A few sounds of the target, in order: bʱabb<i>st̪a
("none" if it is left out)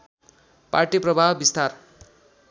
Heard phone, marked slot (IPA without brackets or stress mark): i